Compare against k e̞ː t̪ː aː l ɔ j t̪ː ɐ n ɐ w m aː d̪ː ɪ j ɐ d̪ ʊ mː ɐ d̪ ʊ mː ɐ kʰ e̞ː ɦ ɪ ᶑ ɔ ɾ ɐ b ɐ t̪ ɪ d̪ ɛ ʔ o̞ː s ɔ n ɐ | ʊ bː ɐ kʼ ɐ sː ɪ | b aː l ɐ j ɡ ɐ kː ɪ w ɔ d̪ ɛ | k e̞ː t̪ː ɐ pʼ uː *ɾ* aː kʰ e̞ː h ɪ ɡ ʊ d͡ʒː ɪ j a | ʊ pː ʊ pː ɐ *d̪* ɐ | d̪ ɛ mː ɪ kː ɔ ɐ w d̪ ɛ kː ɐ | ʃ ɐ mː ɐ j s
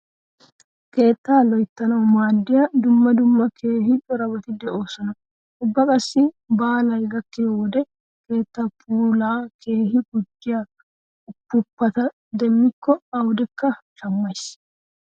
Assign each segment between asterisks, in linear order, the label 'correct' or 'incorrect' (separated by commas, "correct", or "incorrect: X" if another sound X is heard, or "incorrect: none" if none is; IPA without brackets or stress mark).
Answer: incorrect: l, incorrect: t̪